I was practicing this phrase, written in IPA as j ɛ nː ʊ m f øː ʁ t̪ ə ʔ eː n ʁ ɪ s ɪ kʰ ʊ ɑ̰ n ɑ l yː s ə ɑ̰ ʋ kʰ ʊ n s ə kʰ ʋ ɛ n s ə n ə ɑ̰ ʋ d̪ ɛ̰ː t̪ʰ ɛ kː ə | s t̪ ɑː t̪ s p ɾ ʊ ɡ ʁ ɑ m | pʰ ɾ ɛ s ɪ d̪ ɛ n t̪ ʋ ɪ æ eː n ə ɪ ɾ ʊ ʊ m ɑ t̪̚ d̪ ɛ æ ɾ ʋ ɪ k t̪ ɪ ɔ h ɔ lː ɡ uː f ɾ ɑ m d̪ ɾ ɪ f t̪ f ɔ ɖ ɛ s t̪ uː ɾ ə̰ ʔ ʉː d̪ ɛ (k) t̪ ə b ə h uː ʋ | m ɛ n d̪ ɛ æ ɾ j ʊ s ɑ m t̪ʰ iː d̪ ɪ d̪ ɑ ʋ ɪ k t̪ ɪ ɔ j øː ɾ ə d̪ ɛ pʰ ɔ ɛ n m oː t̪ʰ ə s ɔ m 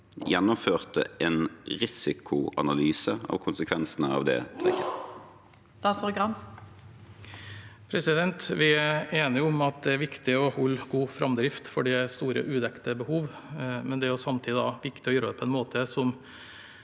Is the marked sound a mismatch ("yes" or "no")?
no